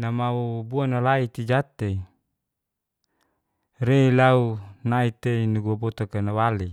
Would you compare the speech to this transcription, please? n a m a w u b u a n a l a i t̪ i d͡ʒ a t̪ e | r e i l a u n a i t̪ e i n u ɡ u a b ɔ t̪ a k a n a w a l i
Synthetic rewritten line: n a m a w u b u a n a l a i t̪ i d͡ʒ a t̪ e | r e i l a u n a i t̪ e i n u ɡ u a b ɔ t̪ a k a n a w a l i

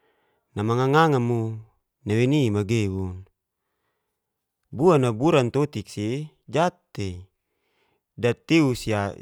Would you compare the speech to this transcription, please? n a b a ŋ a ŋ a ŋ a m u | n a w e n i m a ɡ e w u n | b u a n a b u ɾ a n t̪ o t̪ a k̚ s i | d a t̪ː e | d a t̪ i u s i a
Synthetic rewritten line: n a m a ŋ a ŋ a ŋ a m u | n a w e n i m a ɡ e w u n | b u a n a b u ɾ a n t̪ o t̪ i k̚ s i | d͡ʒ a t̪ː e | d a t̪ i u s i a

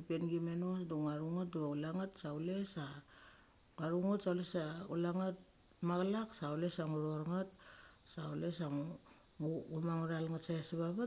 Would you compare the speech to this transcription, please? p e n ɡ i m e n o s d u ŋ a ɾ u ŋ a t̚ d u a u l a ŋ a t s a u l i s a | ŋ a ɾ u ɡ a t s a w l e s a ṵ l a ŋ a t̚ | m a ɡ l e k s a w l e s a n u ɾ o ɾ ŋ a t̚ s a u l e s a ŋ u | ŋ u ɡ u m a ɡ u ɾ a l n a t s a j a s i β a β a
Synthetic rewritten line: p e n ɡ i m e n o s d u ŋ a ɾ u ŋ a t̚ d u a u l a ŋ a t s a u l e s a | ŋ a ɾ u ŋ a t s a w l e s a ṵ l a ŋ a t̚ | m a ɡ l a k s a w l e s a ŋ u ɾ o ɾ ŋ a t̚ s a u l e s a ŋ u | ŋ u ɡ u m a ŋ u ɾ a l ŋ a t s a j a s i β a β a

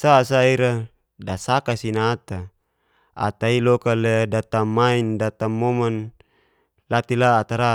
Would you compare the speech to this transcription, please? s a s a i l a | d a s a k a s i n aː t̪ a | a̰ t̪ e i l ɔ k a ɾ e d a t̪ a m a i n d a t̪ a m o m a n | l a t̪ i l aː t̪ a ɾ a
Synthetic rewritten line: s a s a i ɾ a | d a s a k a s i n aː t̪ a | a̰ t̪ a i l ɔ k a l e d a t̪ a m a i n d a t̪ a m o m a n | l a t̪ i l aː t̪ a ɾ a

